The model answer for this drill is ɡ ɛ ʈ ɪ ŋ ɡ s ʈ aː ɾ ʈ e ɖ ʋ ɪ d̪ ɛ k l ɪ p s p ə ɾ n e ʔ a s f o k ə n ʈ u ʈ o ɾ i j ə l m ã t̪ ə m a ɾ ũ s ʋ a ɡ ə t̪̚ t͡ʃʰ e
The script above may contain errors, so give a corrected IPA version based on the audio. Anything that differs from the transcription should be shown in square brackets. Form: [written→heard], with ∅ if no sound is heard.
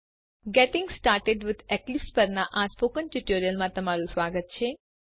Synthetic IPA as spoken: ɡ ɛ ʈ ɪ ŋ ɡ s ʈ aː ɾ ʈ e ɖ ʋ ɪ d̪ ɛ k l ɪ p s p ə ɾ n [e→a] ʔ a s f o k ə n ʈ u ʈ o ɾ i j ə l m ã t̪ ə m a ɾ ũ s ʋ a ɡ ə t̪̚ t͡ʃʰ e